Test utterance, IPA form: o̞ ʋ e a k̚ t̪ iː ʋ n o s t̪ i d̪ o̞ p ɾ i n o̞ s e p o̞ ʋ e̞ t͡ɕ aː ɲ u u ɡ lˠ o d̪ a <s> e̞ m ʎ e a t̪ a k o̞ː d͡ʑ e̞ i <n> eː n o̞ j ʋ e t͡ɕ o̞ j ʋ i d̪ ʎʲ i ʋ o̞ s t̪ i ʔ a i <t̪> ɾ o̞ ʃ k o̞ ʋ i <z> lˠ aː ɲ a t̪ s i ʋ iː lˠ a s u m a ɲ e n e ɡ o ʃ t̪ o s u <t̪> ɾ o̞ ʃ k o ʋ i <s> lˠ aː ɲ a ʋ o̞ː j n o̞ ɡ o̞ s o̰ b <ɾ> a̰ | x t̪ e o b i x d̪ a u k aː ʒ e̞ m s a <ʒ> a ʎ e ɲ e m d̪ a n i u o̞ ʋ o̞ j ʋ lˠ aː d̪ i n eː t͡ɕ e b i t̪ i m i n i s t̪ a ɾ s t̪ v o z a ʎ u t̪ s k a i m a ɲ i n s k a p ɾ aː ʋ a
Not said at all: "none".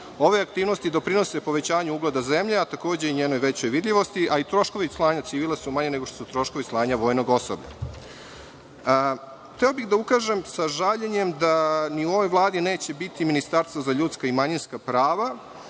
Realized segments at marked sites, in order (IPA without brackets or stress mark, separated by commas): z, ɲ, t̪, s, t̪, s, ʎ, ʒ